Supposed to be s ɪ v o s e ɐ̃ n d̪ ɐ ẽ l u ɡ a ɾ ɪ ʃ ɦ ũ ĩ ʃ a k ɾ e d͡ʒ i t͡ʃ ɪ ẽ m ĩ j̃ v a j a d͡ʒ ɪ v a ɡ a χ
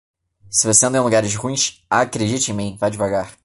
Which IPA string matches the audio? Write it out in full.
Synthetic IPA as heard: s ɪ v o s e ɐ̃ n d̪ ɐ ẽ l u ɡ a ɾ ɪ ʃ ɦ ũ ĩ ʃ a k ɾ e d͡ʒ i t͡ʃ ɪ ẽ m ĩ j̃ v a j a d͡ʒ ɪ v a ɡ a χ

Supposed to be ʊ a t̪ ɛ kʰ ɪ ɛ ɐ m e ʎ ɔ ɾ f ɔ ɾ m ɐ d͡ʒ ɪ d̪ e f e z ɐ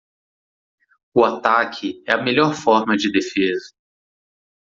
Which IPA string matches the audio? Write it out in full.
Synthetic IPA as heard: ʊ a t̪ a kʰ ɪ ɛ ɐ m e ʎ ɔ ɾ f ɔ ɾ m ɐ d͡ʒ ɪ d̪ e f e z ɐ

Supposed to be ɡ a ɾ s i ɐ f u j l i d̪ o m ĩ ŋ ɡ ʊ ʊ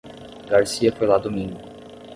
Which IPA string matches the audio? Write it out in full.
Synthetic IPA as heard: ɡ a ɾ s i ɐ f o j l a d̪ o m ĩ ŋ ɡ ʊ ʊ

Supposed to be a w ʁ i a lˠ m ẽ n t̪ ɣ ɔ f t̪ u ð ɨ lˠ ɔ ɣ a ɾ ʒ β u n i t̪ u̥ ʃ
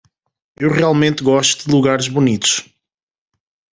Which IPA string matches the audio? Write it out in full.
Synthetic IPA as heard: e w ʁ i a lˠ m ẽ n t̪ ɣ ɔ ʃ t̪ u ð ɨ lˠ u ɣ a ɾ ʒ β u n i t̪ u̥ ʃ

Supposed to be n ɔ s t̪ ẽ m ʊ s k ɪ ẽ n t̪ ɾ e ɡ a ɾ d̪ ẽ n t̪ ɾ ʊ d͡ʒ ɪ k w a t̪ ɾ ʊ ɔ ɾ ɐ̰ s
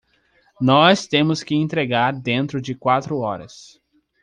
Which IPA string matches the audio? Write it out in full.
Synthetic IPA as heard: n ɔ s t̪ ẽ m ʊ s k ɪ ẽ n t̪ ɾ e ɡ a ɾ d̪ ẽ n t̪ ɾ ʊ d͡ʒ ɪ k w a t̪ ɾ ʊ ɔ ɾ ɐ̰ s

